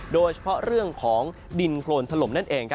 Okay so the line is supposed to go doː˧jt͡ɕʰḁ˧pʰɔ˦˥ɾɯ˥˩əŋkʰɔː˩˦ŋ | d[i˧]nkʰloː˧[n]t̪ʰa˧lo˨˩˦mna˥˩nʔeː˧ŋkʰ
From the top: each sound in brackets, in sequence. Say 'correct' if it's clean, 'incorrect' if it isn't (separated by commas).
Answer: correct, correct